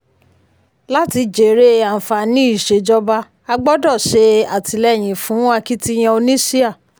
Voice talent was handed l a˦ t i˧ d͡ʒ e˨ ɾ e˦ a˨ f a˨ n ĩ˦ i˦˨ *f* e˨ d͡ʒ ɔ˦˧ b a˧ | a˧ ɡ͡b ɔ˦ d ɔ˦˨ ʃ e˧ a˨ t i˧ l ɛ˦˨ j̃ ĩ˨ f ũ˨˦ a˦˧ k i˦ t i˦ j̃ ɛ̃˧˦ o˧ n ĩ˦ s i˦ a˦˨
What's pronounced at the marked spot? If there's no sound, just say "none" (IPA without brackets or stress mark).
ʃ